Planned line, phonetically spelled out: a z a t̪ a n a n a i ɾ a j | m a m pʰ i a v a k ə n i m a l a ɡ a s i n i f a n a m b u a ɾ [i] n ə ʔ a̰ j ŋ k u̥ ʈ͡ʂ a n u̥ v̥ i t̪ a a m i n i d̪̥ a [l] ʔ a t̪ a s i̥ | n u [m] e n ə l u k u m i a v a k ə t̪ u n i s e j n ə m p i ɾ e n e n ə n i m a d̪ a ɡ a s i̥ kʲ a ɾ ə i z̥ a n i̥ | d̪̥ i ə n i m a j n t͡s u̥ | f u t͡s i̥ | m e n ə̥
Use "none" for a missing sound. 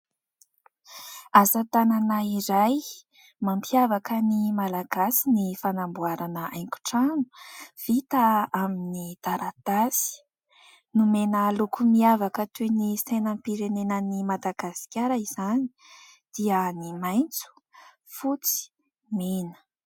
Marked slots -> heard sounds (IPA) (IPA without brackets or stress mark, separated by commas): a, ɾ, m